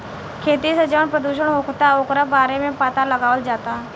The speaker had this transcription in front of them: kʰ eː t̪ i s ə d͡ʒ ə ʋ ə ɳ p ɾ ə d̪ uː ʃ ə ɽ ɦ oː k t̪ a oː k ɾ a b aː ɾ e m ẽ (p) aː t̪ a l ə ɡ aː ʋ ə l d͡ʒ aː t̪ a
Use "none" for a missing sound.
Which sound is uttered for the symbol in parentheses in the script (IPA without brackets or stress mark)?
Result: p